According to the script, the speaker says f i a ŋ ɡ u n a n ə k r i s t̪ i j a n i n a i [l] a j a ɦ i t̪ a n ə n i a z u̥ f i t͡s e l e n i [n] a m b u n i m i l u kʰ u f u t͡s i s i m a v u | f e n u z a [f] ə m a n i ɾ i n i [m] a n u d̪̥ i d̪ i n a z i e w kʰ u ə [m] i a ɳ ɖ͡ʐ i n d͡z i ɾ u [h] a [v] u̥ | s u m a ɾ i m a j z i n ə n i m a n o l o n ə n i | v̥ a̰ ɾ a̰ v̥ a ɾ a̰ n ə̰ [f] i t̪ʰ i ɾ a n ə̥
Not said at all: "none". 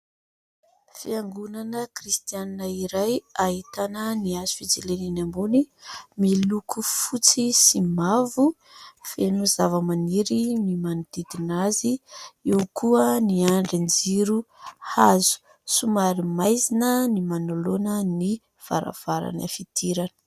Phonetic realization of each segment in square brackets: ɾ, n, v, m, n, h, z, f

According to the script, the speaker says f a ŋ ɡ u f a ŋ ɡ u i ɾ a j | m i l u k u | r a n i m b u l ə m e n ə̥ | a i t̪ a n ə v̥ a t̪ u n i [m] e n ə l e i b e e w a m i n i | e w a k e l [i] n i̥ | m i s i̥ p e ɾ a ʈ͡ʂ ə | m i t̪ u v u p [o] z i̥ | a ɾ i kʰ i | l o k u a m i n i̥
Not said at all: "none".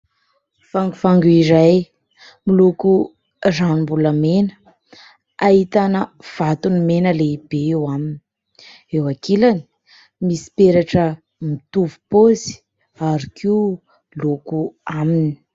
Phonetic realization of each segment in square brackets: m, a, o

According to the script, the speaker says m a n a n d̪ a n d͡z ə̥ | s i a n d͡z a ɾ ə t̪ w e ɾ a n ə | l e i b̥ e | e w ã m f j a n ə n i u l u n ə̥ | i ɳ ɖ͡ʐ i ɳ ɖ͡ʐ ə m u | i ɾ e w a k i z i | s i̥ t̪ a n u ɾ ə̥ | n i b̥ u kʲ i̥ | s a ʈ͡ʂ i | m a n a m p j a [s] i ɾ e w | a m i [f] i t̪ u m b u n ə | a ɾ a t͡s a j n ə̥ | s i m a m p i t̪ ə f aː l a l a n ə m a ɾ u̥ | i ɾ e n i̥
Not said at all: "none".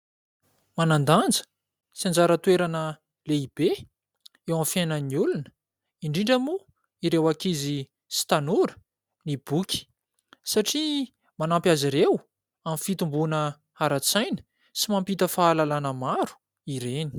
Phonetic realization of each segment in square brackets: z, f

